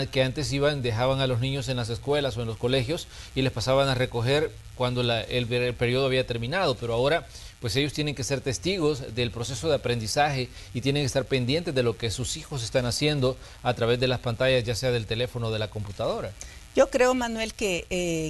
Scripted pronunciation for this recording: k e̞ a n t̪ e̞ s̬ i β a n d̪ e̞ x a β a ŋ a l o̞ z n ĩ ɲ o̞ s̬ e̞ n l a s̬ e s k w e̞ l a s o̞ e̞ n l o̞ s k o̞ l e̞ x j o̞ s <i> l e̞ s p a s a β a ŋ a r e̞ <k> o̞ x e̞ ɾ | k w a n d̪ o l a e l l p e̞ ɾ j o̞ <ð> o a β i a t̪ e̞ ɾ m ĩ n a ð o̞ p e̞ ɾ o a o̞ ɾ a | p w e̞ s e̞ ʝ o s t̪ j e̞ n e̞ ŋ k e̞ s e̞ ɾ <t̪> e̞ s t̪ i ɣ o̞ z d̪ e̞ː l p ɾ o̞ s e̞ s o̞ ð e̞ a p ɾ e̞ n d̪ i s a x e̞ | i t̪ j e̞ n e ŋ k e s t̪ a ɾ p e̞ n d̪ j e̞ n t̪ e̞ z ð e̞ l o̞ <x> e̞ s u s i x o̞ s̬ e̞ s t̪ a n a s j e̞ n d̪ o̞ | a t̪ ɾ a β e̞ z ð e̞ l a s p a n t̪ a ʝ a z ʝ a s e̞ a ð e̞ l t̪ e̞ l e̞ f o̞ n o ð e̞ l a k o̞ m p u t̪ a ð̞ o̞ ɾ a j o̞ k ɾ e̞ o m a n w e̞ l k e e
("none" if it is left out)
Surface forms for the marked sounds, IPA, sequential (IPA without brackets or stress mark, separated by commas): i, k, ð, t̪, k